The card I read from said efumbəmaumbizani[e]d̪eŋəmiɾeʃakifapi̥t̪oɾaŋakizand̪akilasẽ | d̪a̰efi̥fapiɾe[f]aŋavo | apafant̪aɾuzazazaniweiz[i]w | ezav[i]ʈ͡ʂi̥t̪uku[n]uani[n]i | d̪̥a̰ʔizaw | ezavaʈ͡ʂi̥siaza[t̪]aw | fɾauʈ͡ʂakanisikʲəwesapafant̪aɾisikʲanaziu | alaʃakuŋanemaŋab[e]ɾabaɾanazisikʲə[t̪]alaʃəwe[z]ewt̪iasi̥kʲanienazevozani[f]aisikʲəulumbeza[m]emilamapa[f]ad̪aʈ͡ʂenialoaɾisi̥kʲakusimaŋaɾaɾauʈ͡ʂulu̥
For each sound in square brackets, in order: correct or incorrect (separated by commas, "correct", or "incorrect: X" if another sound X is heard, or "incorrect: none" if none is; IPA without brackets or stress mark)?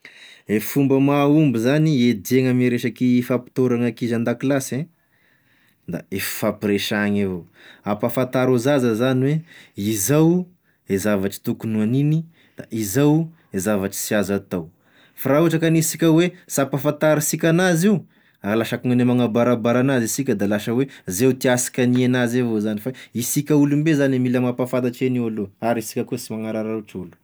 correct, incorrect: ʃ, incorrect: a, incorrect: a, correct, correct, correct, incorrect: a, incorrect: d̪, correct, correct, incorrect: n, correct